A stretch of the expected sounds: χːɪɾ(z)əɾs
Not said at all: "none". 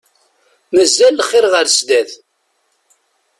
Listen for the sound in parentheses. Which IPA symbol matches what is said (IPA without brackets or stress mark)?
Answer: ʁ